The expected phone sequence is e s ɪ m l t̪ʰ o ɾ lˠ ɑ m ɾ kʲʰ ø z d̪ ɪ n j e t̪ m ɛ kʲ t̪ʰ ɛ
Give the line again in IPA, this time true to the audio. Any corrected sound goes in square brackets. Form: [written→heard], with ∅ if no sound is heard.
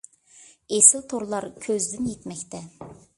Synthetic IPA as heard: e s ɪ [m→∅] l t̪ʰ o ɾ lˠ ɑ [m→∅] ɾ kʲʰ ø z d̪ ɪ n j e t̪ m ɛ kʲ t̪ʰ ɛ